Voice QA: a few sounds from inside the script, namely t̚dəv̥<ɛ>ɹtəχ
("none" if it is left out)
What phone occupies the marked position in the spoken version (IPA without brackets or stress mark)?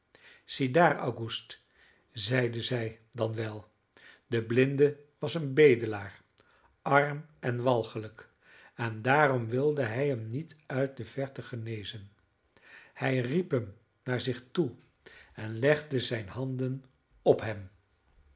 ɛ